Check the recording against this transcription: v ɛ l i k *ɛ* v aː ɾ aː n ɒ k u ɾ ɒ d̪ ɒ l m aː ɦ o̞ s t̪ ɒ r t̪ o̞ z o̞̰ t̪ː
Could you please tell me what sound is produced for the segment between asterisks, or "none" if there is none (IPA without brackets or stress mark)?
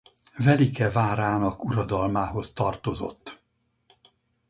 ɛ